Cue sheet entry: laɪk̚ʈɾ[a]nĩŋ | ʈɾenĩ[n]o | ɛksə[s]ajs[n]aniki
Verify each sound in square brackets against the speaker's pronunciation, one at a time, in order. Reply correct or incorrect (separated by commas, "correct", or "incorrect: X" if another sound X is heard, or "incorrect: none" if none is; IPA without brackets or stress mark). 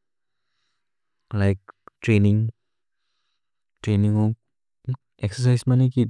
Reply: incorrect: e, incorrect: ŋ, correct, incorrect: m